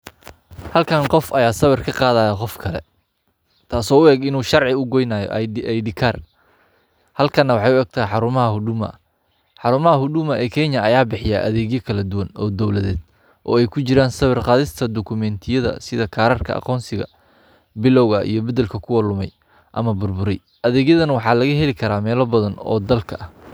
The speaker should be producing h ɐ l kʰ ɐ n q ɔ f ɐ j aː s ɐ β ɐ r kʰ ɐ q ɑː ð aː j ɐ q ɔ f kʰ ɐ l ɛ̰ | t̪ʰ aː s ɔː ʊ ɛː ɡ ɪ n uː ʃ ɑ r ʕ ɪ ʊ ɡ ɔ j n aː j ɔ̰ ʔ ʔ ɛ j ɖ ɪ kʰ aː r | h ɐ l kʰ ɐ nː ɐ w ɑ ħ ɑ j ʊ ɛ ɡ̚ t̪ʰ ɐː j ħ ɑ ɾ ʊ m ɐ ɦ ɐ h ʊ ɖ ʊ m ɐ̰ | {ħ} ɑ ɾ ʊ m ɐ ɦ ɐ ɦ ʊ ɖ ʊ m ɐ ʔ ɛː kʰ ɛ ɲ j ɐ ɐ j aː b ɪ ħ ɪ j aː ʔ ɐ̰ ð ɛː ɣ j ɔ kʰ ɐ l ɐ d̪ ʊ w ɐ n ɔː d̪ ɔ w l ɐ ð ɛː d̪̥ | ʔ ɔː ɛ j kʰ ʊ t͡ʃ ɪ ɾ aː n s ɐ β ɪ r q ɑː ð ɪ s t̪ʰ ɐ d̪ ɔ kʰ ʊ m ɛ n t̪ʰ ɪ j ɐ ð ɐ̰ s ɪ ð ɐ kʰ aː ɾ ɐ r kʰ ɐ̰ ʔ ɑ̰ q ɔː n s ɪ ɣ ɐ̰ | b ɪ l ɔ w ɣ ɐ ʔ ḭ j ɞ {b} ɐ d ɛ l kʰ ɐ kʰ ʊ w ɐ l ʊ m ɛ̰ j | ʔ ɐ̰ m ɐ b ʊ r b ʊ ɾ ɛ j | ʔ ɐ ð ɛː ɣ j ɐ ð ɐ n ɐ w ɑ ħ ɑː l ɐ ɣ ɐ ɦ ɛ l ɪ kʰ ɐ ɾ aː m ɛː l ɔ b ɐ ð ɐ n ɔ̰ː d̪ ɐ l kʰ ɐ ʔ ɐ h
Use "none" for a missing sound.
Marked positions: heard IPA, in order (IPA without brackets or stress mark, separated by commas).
ħ, b